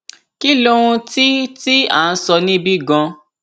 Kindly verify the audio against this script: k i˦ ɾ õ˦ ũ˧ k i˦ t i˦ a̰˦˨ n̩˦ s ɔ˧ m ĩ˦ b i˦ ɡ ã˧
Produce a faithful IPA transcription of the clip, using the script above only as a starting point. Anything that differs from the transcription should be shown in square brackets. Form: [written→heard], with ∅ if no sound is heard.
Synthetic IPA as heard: k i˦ [ɾ→l] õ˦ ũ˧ [k→t] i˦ t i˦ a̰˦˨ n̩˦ s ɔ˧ [m→n] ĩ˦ b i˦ ɡ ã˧